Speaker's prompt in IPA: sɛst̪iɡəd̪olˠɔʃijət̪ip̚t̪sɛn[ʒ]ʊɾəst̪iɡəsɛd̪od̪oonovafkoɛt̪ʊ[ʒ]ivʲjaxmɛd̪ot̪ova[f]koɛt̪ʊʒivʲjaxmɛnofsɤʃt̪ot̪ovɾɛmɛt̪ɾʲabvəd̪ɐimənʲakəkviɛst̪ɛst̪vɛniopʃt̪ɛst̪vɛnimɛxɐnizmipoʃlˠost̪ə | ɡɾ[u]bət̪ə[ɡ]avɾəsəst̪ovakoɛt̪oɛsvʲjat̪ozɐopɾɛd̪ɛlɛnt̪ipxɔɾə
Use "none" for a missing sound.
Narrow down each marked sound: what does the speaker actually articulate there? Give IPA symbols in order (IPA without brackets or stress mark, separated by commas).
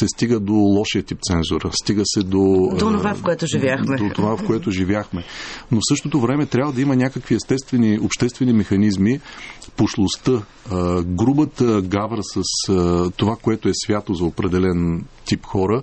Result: z, ʒ, f, u, ɡ